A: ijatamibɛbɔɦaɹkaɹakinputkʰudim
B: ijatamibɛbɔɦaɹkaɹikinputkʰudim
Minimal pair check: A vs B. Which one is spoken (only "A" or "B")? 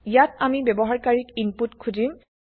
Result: B